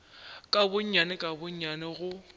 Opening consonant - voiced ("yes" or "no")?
no